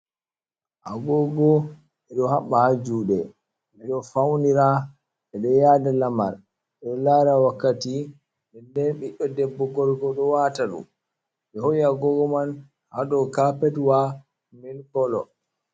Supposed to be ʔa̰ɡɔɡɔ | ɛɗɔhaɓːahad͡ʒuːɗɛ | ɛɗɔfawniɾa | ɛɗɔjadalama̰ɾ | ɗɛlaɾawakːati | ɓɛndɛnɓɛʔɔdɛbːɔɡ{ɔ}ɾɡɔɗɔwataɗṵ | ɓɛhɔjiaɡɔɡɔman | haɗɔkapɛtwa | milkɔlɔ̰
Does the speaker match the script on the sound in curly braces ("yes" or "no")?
yes